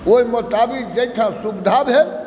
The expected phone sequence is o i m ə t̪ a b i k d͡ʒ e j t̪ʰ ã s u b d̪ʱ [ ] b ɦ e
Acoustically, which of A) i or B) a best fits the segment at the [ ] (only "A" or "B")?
B